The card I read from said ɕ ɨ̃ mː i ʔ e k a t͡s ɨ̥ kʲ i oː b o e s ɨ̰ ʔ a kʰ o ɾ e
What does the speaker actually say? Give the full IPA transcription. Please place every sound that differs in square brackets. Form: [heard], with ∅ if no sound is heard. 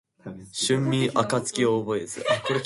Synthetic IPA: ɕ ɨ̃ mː i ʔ [a] k a t͡s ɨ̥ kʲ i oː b o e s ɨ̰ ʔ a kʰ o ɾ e